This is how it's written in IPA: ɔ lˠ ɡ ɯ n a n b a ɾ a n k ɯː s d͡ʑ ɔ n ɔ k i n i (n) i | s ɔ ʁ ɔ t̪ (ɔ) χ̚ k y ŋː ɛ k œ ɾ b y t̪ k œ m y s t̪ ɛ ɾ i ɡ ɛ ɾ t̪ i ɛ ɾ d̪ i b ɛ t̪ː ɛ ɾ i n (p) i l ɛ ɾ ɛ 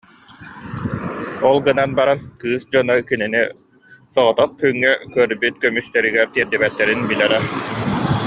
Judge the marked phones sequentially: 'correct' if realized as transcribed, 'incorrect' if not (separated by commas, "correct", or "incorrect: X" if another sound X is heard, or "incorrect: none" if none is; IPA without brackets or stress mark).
correct, correct, incorrect: b